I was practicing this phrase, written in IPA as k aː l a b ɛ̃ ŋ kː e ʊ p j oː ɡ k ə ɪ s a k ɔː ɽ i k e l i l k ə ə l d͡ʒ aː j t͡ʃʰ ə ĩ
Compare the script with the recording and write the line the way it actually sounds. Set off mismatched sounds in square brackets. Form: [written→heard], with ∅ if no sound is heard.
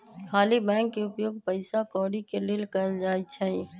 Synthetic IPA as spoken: [k→kʰ] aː l [a→i] b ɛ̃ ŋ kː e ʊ p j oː ɡ [k→p] ə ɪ s a k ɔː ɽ i k e l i l k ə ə l d͡ʒ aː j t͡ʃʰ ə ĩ